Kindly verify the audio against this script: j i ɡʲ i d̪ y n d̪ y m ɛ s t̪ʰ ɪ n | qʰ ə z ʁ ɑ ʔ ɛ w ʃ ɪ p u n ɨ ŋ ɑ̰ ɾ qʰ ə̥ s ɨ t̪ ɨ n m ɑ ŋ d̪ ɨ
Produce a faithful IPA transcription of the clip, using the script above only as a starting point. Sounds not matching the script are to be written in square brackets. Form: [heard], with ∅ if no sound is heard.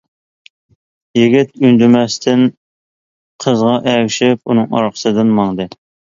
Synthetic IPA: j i ɡʲ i [t̪] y n d̪ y m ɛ s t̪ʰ ɪ n | qʰ ə z ʁ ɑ ʔ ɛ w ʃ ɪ p u n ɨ ŋ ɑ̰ ɾ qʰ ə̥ s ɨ [d̪] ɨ n m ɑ ŋ d̪ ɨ